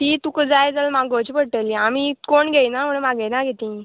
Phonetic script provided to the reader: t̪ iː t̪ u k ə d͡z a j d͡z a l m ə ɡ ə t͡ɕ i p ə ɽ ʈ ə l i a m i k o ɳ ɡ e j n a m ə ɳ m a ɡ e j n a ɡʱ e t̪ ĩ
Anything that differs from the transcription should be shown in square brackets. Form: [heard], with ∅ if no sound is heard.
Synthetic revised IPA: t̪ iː t̪ u k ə d͡z a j d͡z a l m [a] ɡ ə t͡ɕ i p ə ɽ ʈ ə l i a m i k o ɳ ɡ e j n a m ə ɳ m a ɡ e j n a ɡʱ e t̪ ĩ